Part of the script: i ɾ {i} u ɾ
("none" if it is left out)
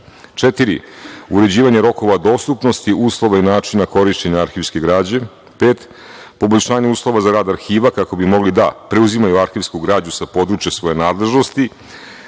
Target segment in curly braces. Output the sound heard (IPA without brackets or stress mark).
i